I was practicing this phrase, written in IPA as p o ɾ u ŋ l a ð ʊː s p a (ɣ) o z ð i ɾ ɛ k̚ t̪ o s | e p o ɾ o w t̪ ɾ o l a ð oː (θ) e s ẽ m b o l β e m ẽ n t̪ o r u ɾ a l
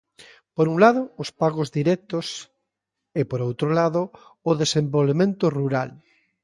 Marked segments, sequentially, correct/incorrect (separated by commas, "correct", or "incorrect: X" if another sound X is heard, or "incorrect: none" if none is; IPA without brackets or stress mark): correct, incorrect: ð